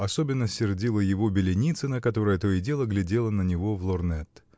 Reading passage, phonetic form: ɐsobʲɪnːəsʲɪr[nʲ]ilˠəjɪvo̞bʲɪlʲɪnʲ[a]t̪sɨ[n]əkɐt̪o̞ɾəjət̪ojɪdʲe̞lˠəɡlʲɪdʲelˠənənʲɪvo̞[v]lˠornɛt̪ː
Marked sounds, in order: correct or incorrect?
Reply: incorrect: dʲ, incorrect: i, correct, correct

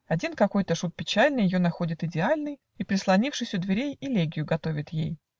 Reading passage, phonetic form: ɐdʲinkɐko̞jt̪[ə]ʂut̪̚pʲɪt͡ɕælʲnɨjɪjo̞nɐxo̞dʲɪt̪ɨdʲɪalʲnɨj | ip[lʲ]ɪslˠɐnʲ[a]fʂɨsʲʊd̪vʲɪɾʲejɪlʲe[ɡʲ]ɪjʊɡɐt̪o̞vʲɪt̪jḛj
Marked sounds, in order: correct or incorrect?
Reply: correct, incorrect: ɾʲ, incorrect: i, correct

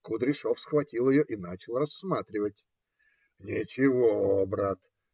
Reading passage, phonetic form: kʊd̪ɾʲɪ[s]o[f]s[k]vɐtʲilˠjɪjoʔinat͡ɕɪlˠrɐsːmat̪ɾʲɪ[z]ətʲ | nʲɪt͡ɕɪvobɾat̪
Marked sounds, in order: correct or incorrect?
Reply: incorrect: ʂ, correct, incorrect: x, incorrect: v

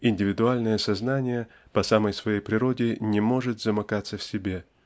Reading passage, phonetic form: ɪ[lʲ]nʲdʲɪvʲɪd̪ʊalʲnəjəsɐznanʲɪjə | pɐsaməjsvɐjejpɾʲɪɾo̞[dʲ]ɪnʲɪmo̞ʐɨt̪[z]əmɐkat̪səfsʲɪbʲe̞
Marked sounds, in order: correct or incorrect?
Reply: incorrect: none, correct, correct

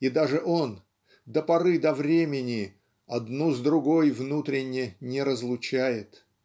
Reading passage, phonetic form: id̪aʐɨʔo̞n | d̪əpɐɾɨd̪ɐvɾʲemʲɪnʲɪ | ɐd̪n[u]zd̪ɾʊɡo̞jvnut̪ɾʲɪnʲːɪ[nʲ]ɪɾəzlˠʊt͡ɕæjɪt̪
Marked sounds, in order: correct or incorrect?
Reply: correct, correct

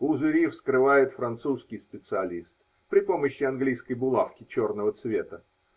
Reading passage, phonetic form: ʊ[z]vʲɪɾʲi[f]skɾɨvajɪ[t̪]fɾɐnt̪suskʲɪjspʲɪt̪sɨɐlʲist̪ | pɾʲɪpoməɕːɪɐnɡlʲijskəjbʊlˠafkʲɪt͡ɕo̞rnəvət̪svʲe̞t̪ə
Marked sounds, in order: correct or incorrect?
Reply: correct, correct, correct

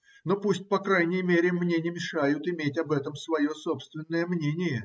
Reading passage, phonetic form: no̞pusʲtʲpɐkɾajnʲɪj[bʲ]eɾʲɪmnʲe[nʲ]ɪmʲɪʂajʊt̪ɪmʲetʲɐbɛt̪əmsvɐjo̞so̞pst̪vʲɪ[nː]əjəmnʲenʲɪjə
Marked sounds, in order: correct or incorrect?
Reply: incorrect: mʲ, correct, correct

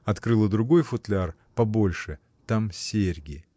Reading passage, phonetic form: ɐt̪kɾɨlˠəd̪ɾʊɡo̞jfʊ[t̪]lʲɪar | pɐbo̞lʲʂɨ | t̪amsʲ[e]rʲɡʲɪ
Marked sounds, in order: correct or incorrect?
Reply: correct, correct

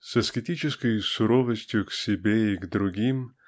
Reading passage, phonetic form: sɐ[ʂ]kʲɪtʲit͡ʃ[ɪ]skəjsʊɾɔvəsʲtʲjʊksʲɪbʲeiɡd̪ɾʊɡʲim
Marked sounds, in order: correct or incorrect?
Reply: incorrect: s, correct

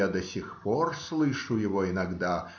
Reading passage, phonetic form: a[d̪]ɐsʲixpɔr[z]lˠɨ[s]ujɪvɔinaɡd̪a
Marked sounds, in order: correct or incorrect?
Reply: correct, incorrect: s, incorrect: ʂ

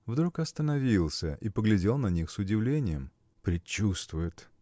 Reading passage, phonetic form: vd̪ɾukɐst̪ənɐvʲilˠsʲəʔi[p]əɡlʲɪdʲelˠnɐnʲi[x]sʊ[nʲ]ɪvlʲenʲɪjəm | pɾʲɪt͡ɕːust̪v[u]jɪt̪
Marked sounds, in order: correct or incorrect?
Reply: correct, correct, incorrect: dʲ, incorrect: ʊ

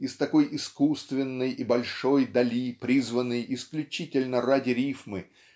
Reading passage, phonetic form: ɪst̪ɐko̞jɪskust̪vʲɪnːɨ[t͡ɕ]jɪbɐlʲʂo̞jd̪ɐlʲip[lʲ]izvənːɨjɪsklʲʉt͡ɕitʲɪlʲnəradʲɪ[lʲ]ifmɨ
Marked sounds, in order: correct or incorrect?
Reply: incorrect: none, incorrect: ɾʲ, incorrect: ɾʲ

